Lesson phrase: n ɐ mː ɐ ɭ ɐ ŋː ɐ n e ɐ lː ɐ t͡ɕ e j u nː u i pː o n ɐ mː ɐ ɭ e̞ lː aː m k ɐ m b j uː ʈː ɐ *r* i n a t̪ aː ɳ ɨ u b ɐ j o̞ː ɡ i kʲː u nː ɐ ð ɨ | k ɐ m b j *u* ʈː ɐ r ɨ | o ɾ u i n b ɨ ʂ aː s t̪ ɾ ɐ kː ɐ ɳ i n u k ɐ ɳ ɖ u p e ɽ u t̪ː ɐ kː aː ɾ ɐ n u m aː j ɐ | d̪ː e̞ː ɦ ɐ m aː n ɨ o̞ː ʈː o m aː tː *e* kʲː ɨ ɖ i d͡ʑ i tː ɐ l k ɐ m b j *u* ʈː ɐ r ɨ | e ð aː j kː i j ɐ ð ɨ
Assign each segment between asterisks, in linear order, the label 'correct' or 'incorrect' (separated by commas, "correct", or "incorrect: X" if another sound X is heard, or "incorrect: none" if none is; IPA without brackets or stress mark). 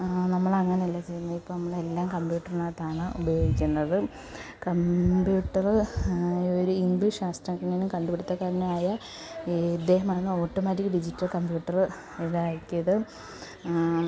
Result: correct, incorrect: uː, incorrect: i, incorrect: uː